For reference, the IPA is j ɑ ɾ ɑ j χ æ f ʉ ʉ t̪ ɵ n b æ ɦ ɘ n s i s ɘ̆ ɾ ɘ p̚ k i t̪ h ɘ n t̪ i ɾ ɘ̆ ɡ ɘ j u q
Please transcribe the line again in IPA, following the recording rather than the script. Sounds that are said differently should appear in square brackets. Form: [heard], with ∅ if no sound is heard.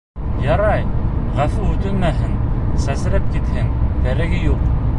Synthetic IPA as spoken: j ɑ ɾ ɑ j [ʁ] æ f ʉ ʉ t̪ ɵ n [m] æ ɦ ɘ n s [æ] s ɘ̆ ɾ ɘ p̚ k i t̪ h ɘ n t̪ [æ] ɾ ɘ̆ ɡ ɘ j u q